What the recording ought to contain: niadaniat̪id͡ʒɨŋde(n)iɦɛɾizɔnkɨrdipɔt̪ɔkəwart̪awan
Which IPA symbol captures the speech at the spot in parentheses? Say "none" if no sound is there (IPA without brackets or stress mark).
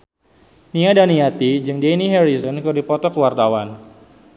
n